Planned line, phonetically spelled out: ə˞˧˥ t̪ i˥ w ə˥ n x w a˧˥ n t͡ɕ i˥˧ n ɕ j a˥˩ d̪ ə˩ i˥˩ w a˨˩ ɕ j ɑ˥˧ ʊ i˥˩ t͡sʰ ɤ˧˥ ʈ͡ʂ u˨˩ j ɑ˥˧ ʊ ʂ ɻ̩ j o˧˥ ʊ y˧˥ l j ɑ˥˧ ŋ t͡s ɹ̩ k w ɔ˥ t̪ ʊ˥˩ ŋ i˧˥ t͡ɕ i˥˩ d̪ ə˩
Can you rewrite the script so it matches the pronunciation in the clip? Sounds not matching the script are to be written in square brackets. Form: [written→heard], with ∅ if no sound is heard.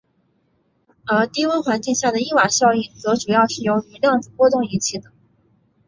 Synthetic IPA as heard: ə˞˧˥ t̪ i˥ w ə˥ n x w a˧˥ n t͡ɕ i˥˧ [n→ŋ] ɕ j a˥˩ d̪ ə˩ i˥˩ w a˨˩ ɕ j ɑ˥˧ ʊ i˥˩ [t͡sʰ→t͡s] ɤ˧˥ ʈ͡ʂ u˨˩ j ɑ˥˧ ʊ ʂ ɻ̩ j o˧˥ ʊ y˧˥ l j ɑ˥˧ ŋ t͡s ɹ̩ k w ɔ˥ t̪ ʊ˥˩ ŋ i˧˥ [t͡ɕ→t͡ɕʰ] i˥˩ d̪ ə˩